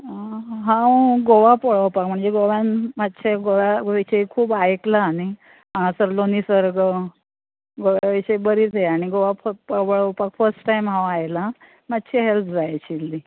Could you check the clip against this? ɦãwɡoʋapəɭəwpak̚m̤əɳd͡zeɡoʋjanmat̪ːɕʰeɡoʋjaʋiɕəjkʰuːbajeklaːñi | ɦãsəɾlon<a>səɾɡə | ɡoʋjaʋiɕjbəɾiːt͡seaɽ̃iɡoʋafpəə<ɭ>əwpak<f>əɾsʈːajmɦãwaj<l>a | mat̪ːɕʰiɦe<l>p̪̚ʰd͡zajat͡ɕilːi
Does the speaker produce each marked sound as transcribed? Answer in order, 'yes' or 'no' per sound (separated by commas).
no, yes, yes, yes, yes